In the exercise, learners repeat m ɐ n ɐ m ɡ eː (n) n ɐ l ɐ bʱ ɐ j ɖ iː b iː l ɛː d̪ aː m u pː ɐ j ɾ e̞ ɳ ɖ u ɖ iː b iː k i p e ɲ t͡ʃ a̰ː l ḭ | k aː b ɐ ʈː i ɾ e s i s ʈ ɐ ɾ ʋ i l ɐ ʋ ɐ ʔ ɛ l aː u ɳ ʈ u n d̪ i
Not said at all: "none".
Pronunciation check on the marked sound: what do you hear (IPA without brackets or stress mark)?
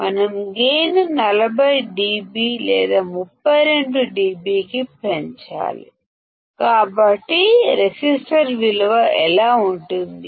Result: n